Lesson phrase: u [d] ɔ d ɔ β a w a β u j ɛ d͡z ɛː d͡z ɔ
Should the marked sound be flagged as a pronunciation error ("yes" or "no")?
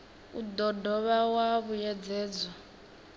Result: no